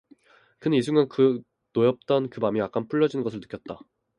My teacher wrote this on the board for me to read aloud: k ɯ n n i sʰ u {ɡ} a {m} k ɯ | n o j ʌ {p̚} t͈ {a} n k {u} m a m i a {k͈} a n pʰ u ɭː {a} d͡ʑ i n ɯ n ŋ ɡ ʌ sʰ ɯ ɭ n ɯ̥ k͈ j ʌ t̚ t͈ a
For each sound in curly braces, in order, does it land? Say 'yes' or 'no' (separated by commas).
no, no, yes, no, no, yes, no